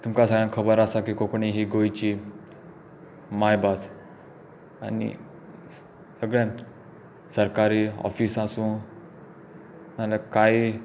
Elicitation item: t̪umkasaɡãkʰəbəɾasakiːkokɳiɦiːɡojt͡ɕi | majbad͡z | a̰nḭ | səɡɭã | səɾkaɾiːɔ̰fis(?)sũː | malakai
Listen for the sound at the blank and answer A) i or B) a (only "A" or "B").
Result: B